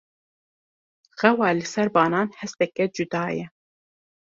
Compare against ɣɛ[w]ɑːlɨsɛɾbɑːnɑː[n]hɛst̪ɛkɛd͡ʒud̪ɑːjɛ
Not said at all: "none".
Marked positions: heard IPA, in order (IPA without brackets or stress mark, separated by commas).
w, n